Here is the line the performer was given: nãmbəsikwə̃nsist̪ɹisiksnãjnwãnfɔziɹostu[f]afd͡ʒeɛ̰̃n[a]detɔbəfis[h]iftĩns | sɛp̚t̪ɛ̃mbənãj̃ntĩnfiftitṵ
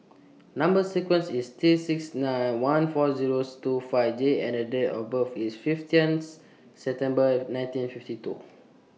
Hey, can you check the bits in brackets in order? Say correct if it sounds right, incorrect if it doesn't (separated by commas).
correct, incorrect, incorrect